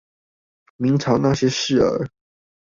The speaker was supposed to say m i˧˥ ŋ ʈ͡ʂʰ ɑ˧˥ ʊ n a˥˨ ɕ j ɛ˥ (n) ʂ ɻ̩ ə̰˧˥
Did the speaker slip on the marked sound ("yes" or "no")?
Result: yes